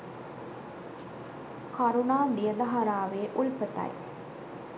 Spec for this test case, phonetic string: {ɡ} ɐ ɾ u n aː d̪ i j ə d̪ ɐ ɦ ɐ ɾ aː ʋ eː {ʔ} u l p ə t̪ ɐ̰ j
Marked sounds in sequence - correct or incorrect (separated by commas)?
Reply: incorrect, correct